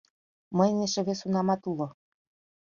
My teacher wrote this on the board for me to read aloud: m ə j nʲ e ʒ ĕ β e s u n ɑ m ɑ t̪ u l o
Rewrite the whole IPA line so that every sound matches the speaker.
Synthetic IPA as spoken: m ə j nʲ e ʃ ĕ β e s u n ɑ m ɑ t̪ u l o